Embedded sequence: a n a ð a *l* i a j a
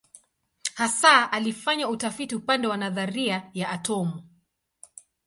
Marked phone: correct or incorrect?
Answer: incorrect